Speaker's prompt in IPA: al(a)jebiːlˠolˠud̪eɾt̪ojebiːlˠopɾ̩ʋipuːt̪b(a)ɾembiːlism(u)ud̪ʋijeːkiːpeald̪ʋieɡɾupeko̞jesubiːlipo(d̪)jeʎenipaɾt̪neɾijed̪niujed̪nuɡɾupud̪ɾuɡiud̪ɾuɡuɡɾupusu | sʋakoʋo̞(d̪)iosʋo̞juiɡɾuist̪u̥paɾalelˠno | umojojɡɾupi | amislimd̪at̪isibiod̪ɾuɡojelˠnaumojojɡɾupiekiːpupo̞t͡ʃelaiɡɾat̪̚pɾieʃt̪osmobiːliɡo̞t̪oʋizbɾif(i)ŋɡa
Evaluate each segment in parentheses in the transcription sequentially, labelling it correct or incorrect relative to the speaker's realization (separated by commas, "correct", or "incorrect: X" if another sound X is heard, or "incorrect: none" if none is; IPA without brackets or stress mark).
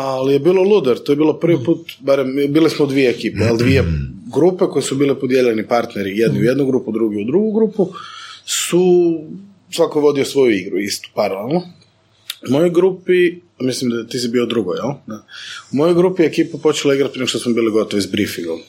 incorrect: i, correct, incorrect: o, correct, correct, correct